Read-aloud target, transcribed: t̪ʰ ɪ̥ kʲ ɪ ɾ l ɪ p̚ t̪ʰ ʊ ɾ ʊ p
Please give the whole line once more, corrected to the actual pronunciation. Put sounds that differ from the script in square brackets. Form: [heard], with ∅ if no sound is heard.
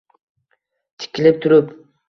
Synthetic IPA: t̪ʰ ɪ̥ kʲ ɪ [∅] l ɪ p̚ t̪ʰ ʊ ɾ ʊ p